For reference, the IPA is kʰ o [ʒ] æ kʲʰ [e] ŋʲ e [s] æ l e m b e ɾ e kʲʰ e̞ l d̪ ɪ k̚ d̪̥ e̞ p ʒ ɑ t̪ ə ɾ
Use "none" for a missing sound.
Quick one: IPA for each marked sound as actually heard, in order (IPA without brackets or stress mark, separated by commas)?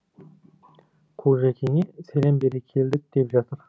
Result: ʒ, e, s